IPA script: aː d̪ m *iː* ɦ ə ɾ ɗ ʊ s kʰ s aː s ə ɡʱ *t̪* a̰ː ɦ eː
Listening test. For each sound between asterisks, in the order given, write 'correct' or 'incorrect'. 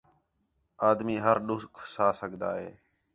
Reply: correct, incorrect: d̪

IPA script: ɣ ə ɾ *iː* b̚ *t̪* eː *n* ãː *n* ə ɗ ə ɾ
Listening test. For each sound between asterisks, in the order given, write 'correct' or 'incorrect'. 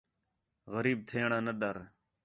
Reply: correct, incorrect: t̪ʰ, incorrect: ɳ, correct

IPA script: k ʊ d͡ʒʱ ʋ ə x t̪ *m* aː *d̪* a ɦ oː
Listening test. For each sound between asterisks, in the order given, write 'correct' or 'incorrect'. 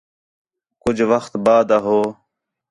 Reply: incorrect: b, correct

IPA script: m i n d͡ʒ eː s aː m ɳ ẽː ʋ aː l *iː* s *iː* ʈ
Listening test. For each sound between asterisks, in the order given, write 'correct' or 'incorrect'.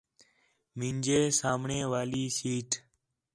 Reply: correct, correct

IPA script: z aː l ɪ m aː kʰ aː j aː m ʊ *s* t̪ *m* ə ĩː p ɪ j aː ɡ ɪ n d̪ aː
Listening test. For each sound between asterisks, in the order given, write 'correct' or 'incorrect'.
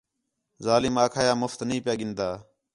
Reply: incorrect: f, incorrect: n

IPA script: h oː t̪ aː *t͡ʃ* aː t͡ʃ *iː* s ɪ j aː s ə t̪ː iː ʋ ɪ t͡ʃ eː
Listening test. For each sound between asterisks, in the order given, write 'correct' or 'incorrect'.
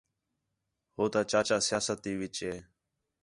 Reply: correct, incorrect: aː

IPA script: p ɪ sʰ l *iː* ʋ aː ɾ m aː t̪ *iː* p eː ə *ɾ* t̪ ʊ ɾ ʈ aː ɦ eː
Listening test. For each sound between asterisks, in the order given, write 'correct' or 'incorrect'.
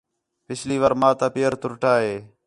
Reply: correct, incorrect: aː, correct

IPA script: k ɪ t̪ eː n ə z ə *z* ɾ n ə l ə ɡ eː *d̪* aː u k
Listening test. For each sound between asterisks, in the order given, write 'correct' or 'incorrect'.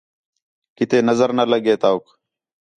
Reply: incorrect: none, incorrect: t̪

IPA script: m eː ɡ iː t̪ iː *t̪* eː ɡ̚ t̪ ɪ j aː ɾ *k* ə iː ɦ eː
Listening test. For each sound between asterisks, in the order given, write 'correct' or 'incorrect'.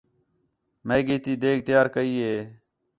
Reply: incorrect: d̪, correct

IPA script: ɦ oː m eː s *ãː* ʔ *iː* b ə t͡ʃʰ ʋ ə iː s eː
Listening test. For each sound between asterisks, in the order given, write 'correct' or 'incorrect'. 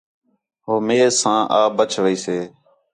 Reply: correct, incorrect: aː

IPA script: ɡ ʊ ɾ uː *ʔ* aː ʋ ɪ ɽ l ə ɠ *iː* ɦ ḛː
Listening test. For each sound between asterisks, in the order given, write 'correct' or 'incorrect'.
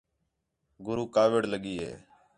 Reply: incorrect: k, correct

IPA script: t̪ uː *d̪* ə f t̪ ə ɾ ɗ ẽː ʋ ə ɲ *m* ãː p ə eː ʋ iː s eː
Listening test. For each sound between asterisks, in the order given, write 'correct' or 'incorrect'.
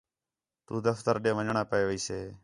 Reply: correct, incorrect: ɳ

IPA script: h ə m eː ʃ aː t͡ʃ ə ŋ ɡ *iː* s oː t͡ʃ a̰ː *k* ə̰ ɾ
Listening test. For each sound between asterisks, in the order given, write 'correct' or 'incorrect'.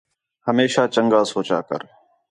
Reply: incorrect: aː, correct

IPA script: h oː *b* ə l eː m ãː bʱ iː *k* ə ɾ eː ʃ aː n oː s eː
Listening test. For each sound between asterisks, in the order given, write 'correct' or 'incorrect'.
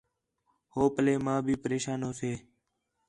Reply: incorrect: p, incorrect: p

